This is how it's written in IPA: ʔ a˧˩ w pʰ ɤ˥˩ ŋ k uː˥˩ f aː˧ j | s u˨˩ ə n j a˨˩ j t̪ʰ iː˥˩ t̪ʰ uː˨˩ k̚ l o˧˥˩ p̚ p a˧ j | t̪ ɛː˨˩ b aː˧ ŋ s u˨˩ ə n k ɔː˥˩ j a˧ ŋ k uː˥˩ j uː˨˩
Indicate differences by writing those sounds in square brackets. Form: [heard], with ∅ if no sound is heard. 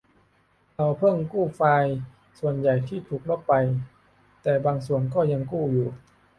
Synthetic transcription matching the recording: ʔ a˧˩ w pʰ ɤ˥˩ ŋ k uː˥˩ f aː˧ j | s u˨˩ ə n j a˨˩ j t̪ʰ iː˥˩ t̪ʰ uː˨˩ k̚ l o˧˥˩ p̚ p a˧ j | t̪ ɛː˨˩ b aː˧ ŋ s u˨˩ ə n k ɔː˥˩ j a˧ ŋ k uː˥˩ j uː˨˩